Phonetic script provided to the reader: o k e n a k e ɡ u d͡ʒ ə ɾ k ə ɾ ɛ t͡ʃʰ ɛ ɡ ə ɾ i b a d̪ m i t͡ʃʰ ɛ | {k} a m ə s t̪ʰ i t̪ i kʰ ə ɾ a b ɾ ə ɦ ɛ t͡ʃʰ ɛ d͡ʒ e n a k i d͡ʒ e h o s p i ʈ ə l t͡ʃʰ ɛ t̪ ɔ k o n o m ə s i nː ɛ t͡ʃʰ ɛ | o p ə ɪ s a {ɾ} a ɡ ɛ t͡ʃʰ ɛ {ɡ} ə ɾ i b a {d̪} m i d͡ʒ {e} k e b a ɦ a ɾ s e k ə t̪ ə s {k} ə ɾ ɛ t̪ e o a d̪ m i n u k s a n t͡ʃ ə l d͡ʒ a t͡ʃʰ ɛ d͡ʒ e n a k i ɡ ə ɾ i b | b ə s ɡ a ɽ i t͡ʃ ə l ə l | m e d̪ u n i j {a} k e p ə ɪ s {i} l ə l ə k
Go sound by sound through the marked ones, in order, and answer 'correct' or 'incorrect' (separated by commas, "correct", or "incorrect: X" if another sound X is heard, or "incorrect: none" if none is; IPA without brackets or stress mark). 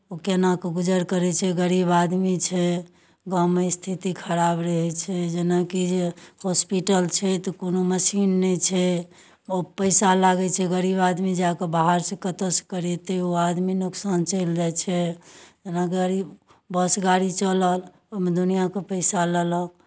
incorrect: ɡ, incorrect: l, correct, correct, incorrect: a, correct, correct, incorrect: a